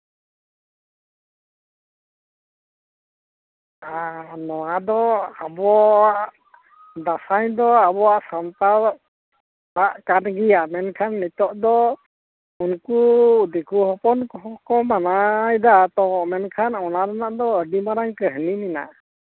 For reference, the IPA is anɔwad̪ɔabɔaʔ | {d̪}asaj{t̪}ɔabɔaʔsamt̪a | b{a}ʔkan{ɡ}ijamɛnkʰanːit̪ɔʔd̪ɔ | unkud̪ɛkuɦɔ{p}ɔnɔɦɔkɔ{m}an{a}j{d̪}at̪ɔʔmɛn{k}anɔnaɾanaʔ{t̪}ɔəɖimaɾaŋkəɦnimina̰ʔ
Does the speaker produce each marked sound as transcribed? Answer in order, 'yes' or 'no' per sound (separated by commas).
yes, no, yes, yes, yes, yes, yes, yes, no, no